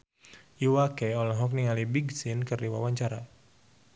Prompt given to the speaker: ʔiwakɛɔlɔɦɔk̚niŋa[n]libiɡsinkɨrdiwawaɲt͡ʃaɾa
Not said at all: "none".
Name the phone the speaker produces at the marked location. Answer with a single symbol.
none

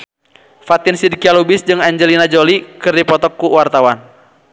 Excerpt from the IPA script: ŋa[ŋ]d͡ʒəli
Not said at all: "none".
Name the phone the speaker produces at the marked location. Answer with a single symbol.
ɲ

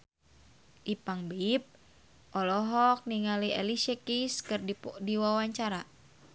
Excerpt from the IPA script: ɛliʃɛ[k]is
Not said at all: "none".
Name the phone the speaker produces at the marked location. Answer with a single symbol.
k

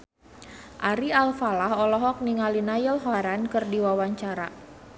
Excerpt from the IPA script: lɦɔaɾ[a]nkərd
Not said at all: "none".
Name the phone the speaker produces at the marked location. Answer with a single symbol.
a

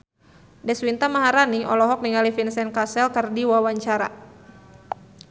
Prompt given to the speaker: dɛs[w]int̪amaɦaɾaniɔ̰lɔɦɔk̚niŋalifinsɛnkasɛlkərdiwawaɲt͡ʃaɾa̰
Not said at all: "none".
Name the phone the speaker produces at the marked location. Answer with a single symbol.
w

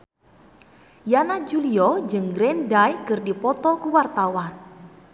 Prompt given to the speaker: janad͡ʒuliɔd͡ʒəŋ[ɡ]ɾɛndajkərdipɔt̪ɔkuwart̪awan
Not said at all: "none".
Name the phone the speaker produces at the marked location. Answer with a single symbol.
ɡ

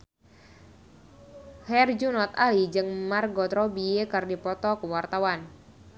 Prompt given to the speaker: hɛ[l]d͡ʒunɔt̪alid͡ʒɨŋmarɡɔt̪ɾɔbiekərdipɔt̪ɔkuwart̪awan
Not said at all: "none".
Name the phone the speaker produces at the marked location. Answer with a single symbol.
r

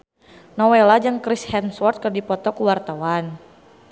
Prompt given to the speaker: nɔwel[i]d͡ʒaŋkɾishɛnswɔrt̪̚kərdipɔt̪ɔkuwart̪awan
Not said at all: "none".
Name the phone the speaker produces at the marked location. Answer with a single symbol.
a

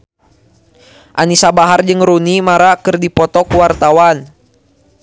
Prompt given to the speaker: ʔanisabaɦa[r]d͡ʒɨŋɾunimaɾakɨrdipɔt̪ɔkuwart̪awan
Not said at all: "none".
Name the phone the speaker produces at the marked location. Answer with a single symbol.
r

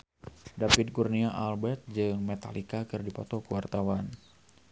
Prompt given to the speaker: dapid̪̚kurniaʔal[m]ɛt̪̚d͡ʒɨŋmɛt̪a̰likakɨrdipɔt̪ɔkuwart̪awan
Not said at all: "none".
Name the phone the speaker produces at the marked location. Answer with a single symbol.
b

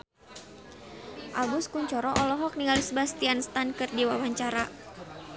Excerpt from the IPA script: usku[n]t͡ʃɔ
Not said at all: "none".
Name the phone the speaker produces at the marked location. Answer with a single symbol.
ɲ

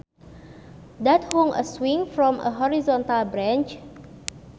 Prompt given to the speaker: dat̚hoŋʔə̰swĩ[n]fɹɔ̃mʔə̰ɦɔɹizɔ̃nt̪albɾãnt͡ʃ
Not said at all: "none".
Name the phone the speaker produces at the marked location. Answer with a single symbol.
ŋ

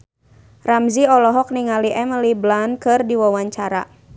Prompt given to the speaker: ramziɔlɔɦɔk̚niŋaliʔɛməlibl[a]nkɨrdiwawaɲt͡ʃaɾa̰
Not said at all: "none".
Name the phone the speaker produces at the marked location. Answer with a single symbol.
a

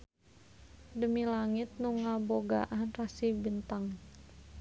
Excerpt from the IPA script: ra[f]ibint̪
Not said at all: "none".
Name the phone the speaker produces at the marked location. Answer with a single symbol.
s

